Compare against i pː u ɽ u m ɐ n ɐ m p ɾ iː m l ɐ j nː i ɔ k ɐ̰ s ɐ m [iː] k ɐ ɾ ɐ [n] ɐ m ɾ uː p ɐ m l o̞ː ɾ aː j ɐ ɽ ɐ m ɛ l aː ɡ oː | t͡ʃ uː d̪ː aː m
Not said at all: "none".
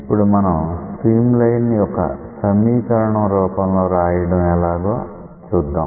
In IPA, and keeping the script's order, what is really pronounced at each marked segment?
iː, ɳ

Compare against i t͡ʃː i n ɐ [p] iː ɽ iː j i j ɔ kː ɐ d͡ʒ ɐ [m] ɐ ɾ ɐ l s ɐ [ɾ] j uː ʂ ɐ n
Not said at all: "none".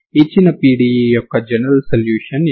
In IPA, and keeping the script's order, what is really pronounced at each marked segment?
p, n, l

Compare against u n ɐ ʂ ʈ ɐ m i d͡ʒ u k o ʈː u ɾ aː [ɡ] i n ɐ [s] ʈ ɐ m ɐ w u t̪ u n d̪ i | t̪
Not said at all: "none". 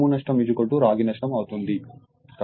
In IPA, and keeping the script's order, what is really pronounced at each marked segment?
ɡ, ʂ

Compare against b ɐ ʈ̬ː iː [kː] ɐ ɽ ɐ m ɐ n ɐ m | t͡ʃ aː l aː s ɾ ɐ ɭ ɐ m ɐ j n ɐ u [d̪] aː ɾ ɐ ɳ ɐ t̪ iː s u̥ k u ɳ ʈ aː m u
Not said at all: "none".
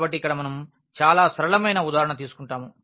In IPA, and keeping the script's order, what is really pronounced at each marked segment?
kː, d̪

